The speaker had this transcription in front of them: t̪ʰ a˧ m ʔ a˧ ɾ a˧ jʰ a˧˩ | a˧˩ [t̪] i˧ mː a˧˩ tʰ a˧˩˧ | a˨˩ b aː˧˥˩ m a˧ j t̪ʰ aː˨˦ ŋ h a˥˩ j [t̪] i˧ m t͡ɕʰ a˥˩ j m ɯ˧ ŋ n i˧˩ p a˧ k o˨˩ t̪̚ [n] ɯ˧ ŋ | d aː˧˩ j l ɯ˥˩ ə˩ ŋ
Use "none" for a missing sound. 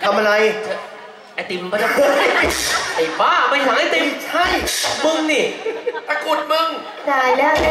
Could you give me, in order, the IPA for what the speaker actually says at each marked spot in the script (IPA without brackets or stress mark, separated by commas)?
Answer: t̪, t̪, m